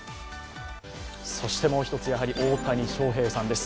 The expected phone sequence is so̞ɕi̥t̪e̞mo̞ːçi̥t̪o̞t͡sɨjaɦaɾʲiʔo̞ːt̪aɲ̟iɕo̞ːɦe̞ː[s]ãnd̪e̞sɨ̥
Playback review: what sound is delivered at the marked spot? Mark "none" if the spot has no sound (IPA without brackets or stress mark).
s